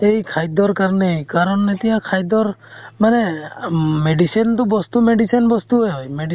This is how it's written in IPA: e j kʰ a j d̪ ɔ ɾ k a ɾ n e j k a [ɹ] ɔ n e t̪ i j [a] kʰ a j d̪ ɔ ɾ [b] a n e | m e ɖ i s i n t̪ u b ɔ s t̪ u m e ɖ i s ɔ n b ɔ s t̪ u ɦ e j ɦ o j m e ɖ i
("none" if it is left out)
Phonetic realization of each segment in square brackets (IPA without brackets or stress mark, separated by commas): ɾ, a, m